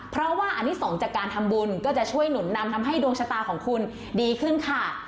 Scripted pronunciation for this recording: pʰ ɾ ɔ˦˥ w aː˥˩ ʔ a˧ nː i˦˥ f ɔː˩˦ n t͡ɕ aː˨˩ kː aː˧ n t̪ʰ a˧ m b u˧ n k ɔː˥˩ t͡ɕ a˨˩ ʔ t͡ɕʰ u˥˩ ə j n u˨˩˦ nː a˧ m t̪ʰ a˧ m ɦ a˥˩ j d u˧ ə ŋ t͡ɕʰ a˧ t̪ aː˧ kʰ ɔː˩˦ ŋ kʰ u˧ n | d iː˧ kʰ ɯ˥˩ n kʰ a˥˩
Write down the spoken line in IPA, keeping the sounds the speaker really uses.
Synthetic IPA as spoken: pʰ ɾ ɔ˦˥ w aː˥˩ ʔ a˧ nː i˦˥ s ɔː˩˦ ŋ t͡ɕ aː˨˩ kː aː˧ n t̪ʰ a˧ m b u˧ n k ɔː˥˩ t͡ɕ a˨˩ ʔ t͡ɕʰ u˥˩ ə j n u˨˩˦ nː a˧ m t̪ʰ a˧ m ɦ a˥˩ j d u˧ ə ŋ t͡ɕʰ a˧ t̪ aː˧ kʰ ɔː˩˦ ŋ kʰ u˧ n | d iː˧ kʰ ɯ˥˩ n kʰ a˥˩